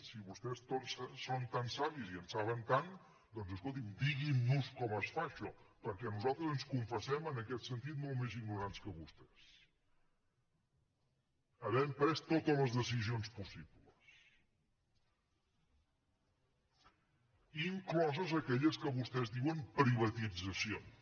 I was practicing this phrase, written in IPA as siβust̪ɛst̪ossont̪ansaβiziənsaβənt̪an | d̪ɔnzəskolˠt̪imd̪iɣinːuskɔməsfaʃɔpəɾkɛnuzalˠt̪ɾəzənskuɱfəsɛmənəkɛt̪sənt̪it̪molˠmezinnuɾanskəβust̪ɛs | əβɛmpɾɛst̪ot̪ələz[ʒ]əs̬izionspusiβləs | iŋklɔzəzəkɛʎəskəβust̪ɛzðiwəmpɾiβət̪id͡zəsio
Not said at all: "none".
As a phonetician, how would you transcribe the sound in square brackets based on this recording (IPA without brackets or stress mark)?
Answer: ð